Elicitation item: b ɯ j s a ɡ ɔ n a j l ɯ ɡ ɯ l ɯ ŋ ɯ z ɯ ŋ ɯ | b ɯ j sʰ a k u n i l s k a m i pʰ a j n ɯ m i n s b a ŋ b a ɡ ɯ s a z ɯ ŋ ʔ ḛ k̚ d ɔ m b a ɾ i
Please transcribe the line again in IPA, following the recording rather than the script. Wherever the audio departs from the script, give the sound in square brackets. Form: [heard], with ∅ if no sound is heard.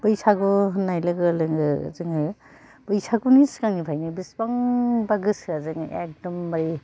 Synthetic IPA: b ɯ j s a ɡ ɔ n a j l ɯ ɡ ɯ l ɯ ŋ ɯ z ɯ ŋ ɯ | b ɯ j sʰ a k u n i [∅] s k a [ŋ] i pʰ a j n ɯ [b] i [∅] s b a ŋ b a ɡ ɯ s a z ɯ ŋ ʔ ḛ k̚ d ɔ m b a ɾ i